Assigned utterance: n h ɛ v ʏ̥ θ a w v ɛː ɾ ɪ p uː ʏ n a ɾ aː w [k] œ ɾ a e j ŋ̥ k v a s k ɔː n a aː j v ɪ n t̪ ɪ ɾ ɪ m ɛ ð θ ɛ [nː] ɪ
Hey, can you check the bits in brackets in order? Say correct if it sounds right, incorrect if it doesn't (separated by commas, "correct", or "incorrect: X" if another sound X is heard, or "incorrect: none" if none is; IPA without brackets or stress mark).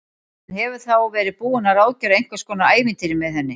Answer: incorrect: c, correct